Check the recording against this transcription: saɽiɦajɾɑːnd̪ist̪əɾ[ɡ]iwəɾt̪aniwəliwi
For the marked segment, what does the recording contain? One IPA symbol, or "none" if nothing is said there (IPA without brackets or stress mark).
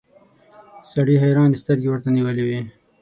ɡ